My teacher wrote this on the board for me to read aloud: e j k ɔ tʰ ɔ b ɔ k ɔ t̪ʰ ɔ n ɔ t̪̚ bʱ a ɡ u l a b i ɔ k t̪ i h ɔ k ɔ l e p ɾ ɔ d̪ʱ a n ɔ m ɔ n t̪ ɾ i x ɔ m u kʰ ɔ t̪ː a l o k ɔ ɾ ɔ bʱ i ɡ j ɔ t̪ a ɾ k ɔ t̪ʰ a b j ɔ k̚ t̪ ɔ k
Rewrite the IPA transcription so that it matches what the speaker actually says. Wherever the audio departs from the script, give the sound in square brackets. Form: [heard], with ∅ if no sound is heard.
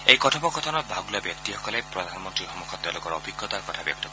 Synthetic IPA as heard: e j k ɔ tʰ ɔ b ɔ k ɔ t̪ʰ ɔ n ɔ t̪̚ bʱ a ɡ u l a b [j] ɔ k t̪ i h ɔ k ɔ l e p ɾ ɔ d̪ʱ a n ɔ m ɔ n t̪ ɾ i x ɔ m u kʰ ɔ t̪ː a l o k ɔ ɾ ɔ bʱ i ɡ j ɔ t̪ a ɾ k ɔ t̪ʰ a b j ɔ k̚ t̪ ɔ k